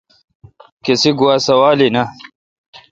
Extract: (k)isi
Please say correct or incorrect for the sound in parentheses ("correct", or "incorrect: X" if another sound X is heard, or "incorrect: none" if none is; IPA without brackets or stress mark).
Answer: correct